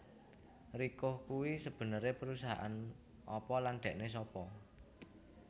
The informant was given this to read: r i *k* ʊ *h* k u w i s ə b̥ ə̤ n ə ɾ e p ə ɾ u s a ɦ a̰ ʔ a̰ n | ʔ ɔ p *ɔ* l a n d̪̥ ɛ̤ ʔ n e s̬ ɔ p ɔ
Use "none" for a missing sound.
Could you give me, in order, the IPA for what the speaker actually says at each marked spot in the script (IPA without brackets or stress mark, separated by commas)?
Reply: k, h, ɔ